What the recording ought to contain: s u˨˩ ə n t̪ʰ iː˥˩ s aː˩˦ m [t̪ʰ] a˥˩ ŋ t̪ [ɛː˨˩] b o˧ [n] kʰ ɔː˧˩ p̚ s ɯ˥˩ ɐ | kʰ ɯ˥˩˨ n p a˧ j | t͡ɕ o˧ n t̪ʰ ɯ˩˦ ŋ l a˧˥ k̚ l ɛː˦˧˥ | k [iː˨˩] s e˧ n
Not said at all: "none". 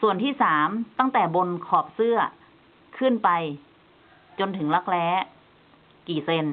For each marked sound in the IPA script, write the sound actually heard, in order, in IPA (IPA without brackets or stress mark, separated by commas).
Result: t̪, ɛː˨˩, n, iː˨˩